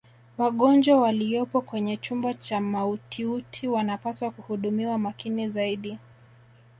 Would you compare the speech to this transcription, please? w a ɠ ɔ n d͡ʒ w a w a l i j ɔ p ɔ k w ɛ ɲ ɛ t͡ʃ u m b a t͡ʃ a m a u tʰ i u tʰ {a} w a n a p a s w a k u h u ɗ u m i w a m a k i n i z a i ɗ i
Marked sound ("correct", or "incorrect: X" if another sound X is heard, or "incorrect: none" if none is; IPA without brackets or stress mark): incorrect: i